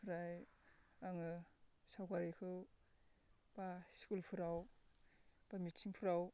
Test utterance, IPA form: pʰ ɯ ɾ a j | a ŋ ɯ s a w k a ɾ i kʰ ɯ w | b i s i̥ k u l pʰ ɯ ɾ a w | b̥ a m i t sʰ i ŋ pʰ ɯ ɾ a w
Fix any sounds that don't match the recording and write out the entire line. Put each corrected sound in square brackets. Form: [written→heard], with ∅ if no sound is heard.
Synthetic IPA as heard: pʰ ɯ ɾ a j | a ŋ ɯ s a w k a ɾ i kʰ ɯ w | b [i→a] s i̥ k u l pʰ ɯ ɾ a w | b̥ a m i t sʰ i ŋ pʰ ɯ ɾ a w